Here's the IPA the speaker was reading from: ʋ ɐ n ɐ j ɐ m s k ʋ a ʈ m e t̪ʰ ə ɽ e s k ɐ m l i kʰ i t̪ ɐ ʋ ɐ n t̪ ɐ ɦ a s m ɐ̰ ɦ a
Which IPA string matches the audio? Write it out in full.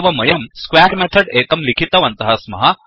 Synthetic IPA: ʋ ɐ m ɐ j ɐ m s k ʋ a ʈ m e t̪ʰ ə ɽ e k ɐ m l i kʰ i t̪ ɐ ʋ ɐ n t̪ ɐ ɦ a s m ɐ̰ ɦ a